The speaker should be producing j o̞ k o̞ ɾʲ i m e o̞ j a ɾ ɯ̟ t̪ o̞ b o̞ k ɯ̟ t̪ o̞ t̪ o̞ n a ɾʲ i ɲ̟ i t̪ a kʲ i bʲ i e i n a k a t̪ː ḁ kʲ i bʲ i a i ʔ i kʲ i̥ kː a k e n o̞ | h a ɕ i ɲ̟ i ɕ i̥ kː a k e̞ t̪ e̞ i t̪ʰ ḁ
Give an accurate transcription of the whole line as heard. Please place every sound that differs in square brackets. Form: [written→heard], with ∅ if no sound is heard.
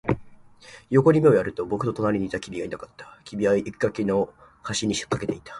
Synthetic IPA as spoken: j o̞ k o̞ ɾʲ i m e o̞ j a ɾ ɯ̟ t̪ o̞ b o̞ k ɯ̟ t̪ o̞ t̪ o̞ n a ɾʲ i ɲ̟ i t̪ a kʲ i bʲ i [e→a] i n a k a t̪ː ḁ kʲ i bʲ i a i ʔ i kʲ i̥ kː a k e n o̞ | h a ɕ i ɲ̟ i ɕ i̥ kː a k e̞ t̪ e̞ i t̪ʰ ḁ